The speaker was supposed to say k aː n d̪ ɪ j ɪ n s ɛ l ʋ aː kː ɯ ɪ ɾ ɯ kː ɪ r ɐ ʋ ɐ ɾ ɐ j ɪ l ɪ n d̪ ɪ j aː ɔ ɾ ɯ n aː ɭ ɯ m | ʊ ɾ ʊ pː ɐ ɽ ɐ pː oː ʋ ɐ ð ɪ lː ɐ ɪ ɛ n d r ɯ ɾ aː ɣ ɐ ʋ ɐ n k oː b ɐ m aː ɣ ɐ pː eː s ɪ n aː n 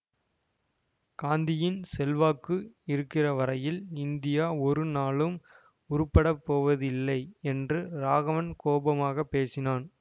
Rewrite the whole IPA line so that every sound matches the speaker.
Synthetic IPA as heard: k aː n d̪ ɪ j ɪ n s ɛ l ʋ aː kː ɯ ɪ ɾ ɯ kː ɪ r ɐ ʋ ɐ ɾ ɐ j ɪ l ɪ n d̪ ɪ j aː ɔ ɾ ɯ n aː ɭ ɯ m | ʊ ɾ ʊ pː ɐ ɽ ɐ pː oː ʋ ɐ ð ɪ lː ɐ ɪ ɛ n d r ɯ ɾ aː ɣ ɐ ʋ ɐ n k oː b ɐ m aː ɣ ɐ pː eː s ɪ n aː n